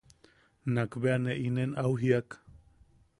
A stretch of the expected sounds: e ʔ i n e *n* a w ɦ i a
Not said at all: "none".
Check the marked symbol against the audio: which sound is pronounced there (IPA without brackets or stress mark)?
n